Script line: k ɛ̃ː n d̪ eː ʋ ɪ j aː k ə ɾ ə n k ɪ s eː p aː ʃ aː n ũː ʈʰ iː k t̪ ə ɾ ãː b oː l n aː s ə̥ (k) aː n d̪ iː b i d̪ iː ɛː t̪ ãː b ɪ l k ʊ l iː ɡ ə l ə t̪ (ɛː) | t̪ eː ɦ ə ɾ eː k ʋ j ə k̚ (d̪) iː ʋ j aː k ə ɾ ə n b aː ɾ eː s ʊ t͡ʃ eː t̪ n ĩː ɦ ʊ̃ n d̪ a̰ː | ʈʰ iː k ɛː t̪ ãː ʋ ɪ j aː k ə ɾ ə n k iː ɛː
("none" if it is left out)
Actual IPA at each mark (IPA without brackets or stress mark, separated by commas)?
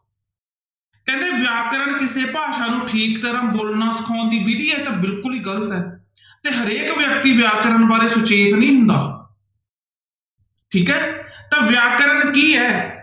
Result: kʰ, ɛː, t̪